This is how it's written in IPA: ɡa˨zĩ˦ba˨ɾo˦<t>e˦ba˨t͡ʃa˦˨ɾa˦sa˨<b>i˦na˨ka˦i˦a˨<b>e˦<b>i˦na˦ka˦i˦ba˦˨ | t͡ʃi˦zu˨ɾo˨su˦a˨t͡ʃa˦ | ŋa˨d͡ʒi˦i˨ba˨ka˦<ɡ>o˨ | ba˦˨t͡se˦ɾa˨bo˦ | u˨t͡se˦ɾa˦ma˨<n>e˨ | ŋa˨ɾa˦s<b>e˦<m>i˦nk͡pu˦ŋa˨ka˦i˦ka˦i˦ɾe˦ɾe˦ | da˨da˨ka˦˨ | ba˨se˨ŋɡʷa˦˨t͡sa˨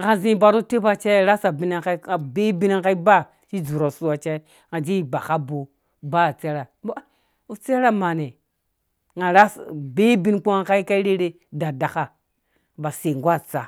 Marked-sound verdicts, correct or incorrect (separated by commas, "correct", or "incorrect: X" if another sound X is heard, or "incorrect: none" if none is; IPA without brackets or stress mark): correct, correct, correct, correct, incorrect: b, correct, correct, incorrect: b